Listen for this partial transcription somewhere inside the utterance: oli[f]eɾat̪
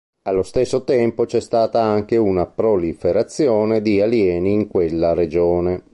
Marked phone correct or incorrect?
correct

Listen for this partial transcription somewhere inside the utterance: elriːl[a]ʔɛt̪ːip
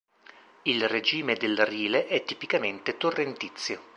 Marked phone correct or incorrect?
incorrect: e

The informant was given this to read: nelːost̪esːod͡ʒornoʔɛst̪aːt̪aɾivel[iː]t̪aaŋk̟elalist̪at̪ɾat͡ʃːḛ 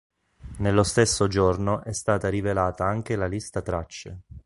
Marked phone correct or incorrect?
incorrect: aː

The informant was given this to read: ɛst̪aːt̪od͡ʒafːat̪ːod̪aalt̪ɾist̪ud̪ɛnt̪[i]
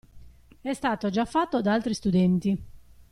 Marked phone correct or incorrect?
correct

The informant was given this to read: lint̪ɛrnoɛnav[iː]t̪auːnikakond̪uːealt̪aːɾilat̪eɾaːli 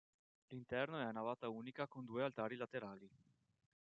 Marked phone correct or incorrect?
incorrect: aː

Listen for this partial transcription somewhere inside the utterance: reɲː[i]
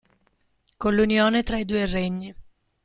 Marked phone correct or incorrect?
correct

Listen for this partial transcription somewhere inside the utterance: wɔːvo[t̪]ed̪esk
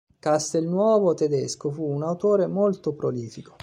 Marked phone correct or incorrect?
correct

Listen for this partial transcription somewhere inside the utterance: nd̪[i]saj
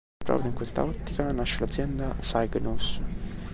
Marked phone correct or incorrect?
incorrect: a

